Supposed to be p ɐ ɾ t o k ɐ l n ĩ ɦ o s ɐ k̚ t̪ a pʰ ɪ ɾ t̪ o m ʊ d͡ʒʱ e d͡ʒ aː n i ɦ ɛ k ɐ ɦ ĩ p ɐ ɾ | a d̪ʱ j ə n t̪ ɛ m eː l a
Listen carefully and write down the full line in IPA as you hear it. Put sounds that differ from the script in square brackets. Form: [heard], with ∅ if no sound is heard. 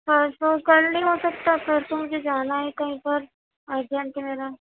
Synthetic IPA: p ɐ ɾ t o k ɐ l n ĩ ɦ o s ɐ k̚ t̪ a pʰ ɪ ɾ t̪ o m ʊ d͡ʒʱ e d͡ʒ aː n [a] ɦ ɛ k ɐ ɦ ĩ p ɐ ɾ | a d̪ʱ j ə n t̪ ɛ m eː [ɾ] a

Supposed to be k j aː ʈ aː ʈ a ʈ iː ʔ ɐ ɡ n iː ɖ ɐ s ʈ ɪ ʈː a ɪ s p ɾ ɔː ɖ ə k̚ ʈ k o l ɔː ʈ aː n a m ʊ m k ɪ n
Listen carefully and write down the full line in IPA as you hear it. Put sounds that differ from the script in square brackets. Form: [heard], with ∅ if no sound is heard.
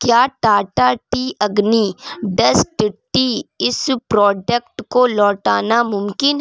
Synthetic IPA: k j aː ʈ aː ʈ a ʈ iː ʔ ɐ ɡ n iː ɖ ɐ s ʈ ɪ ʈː [i] ɪ s p ɾ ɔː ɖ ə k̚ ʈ k o l ɔː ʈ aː n a m ʊ m k ɪ n

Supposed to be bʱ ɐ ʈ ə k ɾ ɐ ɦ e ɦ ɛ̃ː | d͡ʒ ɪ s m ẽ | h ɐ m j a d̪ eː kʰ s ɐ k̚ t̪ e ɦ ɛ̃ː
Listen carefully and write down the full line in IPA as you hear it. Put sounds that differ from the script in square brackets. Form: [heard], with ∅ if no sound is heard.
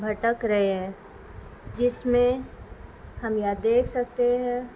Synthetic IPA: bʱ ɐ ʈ ə k ɾ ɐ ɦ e ɦ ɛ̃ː | d͡ʒ ɪ s m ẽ | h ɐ m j a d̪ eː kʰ s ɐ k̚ t̪ e ɦ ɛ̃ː

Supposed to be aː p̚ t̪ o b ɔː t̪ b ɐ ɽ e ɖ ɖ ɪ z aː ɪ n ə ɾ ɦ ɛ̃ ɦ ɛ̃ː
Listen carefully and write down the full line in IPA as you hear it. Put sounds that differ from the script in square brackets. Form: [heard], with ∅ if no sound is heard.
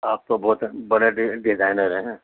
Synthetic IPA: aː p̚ t̪ o b ɔː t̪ b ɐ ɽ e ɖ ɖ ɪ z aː ɪ n ə ɾ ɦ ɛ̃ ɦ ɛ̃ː

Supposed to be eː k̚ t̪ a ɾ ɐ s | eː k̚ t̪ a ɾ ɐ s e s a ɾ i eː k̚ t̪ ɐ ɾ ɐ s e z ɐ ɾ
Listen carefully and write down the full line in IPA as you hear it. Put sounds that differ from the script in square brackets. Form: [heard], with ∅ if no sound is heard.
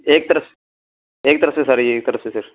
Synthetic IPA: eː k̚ t̪ [ɐ] ɾ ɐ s | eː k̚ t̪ [ɐ] ɾ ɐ s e s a ɾ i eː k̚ t̪ ɐ ɾ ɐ s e [s] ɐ ɾ

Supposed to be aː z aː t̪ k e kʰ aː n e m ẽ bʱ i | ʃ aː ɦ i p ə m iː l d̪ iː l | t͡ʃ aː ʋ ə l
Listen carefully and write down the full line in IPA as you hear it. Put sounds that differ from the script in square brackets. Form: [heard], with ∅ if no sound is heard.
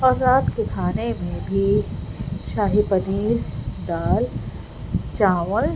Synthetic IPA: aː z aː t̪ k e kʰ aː n e m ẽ bʱ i | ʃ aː ɦ i p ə [n] iː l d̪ [aː] l | t͡ʃ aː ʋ ə l

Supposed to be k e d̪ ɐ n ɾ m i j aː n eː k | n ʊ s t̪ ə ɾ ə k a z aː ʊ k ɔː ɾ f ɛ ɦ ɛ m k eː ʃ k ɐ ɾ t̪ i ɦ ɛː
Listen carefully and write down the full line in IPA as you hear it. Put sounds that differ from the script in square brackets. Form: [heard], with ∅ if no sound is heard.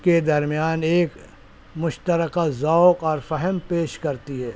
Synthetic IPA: k e d̪ ɐ [∅] ɾ m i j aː n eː k | [m] ʊ [ʃ] t̪ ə ɾ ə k a z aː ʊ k ɔː ɾ f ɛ ɦ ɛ m [p] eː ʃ k ɐ ɾ t̪ i ɦ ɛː

